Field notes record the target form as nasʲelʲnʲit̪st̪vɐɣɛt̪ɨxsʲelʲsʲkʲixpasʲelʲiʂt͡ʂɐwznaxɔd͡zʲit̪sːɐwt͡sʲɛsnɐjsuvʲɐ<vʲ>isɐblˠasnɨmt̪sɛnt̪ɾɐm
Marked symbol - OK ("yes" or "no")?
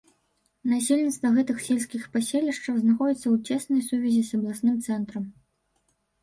no